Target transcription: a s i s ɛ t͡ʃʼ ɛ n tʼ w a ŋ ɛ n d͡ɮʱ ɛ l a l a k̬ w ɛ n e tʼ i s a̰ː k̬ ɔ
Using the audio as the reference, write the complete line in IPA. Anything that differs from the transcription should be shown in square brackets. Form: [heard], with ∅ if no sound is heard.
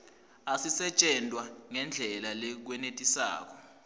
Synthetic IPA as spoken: a s i s ɛ t͡ʃʼ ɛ n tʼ w a ŋ ɛ n d͡ɮʱ ɛ l a l [ɛ] k̬ w ɛ n e tʼ i s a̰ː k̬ ɔ